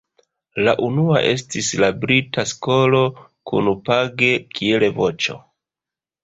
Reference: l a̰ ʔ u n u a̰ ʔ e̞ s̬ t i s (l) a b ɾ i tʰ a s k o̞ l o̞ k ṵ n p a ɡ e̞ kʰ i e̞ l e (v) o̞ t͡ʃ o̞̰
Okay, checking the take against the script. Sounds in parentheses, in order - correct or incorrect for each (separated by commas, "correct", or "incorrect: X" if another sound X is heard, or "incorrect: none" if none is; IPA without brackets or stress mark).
correct, correct